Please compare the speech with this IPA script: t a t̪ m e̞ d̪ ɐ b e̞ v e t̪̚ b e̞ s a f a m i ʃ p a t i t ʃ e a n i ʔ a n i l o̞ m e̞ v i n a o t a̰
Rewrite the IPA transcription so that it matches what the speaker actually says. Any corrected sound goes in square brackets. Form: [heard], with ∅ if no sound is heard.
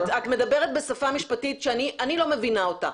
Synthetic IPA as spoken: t a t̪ m e̞ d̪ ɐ b e̞ [ʁ] e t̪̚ b e̞ s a f a m i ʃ p a t i t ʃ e a n i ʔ a n i l o̞ m e̞ v i n a o t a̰